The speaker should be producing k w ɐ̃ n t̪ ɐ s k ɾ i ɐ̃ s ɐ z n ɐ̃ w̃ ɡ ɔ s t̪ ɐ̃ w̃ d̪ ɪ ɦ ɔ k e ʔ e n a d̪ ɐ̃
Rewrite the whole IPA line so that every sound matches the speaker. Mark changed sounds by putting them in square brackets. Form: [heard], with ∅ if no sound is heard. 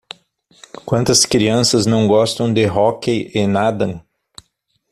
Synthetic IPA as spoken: k w ɐ̃ n t̪ ɐ s k ɾ i ɐ̃ s ɐ z n ɐ̃ w̃ ɡ ɔ s t̪ ɐ̃ w̃ d̪ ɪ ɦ ɔ k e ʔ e n a d̪ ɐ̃